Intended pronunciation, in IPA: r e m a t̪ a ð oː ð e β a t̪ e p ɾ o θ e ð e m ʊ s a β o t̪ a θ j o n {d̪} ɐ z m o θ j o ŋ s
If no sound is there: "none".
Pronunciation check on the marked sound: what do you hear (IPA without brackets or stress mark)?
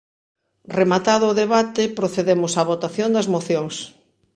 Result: d̪